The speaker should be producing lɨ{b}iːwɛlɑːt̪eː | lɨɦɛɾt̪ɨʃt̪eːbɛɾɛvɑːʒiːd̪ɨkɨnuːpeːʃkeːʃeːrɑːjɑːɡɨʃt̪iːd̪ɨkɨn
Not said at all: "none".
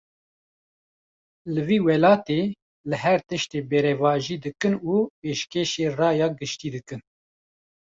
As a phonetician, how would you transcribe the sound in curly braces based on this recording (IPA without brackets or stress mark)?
v